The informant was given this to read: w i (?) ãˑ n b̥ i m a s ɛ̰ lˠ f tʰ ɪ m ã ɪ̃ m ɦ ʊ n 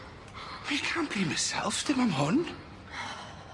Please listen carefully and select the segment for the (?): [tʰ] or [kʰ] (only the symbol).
kʰ